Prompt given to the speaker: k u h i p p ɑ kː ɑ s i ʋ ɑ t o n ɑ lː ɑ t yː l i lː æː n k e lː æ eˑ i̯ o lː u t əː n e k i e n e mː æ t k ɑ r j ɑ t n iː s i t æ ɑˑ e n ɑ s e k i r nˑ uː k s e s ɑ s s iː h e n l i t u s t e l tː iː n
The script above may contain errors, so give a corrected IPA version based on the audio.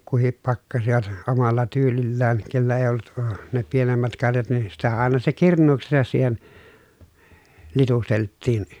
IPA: k u h i p p ɑ kː ɑ s i ʋ ɑ t o m ɑ lː ɑ t yː l i lː æː n k e lː æ eˑ i̯ o lː u t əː n e p i e n e mː æ t k ɑ r j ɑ t n iː s i t æ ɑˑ e n ɑ s e k i r nˑ uː k s e s ɑ s s iː h e n l i t u s t e l tː iː n